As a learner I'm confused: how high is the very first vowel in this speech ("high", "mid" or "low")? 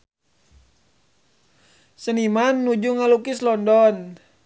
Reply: mid